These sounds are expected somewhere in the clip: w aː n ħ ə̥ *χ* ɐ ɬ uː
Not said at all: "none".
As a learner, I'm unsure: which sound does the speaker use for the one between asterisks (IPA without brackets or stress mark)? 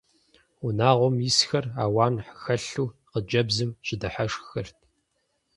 x